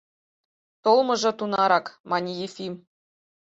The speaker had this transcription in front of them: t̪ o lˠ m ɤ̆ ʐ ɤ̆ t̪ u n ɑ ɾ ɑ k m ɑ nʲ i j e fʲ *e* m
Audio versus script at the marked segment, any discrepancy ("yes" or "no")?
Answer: yes